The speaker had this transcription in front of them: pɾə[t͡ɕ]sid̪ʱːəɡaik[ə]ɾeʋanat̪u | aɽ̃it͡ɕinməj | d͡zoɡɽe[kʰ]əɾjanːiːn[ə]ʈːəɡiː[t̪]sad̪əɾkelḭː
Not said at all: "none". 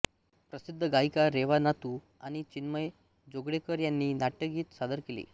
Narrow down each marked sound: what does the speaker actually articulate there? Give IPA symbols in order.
none, a, k, a, t̪

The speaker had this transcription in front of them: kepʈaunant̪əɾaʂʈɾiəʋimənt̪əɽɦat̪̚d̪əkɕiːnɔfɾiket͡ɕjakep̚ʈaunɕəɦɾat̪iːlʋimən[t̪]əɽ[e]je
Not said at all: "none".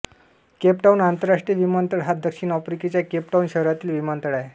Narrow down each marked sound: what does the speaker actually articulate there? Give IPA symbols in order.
t̪, a

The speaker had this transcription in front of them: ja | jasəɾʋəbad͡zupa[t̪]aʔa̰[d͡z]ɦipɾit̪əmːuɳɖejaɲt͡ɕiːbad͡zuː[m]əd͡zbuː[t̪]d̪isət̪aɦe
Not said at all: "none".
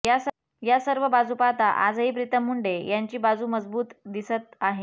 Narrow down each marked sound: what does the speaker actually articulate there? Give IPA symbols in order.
t̪, d͡z, m, t̪

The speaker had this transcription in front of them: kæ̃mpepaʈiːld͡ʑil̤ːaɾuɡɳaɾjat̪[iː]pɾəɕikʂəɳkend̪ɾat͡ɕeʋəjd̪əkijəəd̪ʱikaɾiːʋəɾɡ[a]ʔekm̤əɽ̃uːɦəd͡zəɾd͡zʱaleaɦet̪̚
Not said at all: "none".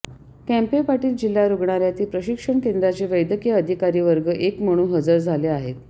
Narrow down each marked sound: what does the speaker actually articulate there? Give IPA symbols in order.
iː, ə

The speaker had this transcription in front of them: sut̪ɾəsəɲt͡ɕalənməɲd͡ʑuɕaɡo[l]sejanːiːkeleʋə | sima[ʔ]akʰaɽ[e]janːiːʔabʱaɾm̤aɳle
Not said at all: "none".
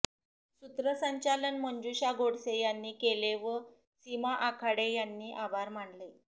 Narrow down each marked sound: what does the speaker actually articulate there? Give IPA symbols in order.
ɽ, ʔ, e

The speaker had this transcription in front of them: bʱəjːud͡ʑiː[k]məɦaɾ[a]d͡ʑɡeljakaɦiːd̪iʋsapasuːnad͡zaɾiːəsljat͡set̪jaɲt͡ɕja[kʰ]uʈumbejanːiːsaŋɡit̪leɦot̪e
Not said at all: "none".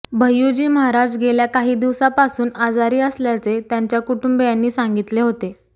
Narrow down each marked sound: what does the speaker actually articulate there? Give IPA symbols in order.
none, a, k

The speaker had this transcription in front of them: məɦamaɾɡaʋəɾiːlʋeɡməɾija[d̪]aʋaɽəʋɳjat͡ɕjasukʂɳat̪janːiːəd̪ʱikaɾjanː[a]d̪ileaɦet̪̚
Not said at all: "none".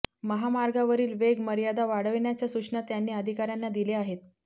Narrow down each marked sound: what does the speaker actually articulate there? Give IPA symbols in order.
d̪, a

